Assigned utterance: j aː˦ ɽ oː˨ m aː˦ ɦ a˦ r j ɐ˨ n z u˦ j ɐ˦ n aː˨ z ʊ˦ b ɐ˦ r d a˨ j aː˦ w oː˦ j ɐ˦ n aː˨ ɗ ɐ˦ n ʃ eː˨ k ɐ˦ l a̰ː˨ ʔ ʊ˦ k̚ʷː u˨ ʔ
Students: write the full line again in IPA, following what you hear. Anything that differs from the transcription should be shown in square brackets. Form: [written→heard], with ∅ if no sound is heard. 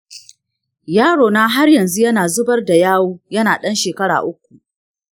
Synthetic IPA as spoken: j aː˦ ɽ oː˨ [m→n] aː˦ ɦ a˦ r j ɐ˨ n z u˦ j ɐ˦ n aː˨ z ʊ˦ b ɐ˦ r d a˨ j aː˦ w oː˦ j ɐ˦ n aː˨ ɗ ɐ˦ n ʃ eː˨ k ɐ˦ [l→ɽ] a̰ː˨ ʔ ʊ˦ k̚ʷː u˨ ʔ

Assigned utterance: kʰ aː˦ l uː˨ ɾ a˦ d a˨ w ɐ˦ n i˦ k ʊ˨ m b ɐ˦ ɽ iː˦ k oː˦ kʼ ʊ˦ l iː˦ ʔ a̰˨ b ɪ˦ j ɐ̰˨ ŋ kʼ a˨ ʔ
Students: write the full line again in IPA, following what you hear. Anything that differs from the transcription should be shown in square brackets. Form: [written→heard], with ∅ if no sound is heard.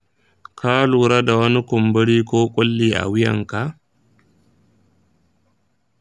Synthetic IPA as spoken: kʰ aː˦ l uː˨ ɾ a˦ d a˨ w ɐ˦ n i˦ k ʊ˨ m b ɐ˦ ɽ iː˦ k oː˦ kʼ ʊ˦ [l→lː] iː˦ ʔ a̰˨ [b→w] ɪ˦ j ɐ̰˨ ŋ [kʼ→k] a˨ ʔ

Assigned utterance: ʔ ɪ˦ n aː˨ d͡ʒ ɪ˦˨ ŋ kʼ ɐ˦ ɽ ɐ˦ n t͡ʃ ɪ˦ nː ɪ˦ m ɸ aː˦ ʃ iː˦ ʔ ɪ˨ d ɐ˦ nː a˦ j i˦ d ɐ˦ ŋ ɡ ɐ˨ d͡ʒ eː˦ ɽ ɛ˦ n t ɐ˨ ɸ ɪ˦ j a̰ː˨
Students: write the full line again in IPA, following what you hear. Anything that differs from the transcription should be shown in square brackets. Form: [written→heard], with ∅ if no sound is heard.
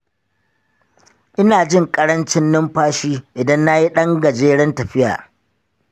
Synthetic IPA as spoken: ʔ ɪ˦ n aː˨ d͡ʒ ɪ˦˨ ŋ kʼ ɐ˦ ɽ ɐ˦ n t͡ʃ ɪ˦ nː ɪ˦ m ɸ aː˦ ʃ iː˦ ʔ ɪ˨ d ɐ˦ nː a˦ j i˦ [d→ɗ] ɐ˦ ŋ ɡ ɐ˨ d͡ʒ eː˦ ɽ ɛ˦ n t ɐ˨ ɸ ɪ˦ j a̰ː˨

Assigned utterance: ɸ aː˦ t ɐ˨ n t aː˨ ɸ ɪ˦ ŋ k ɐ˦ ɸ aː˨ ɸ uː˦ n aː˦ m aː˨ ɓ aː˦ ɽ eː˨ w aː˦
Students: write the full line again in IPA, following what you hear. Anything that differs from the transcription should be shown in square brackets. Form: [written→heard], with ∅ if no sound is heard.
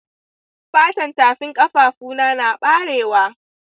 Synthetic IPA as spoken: ɸ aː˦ t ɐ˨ n t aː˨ ɸ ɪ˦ ŋ [k→kʼ] ɐ˦ ɸ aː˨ ɸ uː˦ n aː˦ [m→n] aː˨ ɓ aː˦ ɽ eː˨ w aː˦

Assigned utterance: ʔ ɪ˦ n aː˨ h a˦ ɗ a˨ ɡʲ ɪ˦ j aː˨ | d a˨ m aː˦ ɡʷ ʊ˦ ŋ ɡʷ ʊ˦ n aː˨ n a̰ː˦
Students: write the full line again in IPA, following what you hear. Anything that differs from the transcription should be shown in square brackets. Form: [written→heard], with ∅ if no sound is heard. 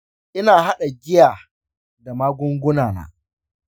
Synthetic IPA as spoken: ʔ ɪ˦ n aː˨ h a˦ ɗ a˨ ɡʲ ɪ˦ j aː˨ | d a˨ m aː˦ ɡʷ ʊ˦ ŋ ɡʷ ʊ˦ n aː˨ n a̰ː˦

